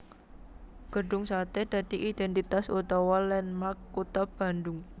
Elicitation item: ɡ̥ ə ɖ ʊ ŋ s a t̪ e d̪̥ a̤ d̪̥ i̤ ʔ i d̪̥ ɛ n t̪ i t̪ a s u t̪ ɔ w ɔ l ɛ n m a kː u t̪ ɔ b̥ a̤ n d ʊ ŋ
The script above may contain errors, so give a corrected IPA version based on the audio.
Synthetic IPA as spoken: ɡ̥ ə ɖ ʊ ŋ s a t̪ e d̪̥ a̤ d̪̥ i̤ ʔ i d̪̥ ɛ n t̪ i t̪ a s u t̪ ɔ w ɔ l ɛ n m a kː u t̪ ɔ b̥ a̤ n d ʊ ŋ